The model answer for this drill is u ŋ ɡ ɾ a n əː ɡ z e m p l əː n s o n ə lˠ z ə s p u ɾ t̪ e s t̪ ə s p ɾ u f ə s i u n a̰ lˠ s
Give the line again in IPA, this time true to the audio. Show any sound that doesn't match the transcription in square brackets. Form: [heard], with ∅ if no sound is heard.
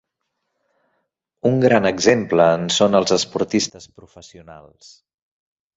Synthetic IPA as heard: u ŋ ɡ ɾ a n [ə] ɡ z e m p l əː n s o n ə lˠ z ə s p u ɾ t̪ [i] s t̪ ə s p ɾ u f ə s i u n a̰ lˠ s